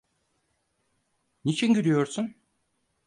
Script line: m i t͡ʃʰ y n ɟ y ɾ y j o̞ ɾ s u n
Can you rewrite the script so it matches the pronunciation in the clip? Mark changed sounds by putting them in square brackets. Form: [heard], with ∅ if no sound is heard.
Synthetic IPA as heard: [n] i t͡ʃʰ [i] n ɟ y ɾ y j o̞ ɾ s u n